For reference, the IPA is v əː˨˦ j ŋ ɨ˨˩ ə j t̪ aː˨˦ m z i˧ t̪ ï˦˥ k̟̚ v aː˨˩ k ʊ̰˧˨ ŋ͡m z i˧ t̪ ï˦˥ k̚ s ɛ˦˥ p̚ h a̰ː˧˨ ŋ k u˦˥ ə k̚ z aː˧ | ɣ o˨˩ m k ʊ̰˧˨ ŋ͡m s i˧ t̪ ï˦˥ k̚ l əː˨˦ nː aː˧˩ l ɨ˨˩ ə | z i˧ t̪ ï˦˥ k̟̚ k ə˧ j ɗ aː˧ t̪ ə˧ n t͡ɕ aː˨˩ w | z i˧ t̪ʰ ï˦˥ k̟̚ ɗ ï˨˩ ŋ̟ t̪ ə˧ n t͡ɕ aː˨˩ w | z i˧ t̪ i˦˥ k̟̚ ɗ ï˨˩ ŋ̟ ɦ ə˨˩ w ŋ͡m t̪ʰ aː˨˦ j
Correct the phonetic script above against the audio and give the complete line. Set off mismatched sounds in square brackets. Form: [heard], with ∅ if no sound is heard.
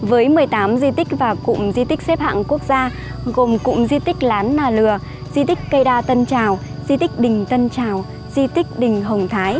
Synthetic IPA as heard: v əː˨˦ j [m] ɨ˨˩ ə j t̪ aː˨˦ m z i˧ t̪ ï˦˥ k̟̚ v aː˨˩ k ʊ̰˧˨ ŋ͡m z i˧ t̪ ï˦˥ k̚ s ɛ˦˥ p̚ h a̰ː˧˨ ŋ k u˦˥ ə k̚ z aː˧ | ɣ o˨˩ m k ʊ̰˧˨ ŋ͡m [z] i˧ t̪ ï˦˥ k̚ l [aː˨˦] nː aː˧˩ l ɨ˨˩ ə | z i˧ t̪ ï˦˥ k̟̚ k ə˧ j ɗ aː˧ t̪ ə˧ n t͡ɕ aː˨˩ w | z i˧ [t̪] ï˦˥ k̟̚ ɗ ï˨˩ ŋ̟ t̪ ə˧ n t͡ɕ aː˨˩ w | z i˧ t̪ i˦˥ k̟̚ ɗ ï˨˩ ŋ̟ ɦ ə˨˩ w ŋ͡m t̪ʰ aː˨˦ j